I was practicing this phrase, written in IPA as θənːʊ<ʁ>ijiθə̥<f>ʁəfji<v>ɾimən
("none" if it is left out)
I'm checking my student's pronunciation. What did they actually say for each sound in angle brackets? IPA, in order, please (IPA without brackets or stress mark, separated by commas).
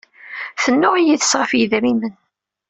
ʁ, s, ð